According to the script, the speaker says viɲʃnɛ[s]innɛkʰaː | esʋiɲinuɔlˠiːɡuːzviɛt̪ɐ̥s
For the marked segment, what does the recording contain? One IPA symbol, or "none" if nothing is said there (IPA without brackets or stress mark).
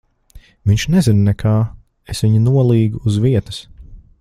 z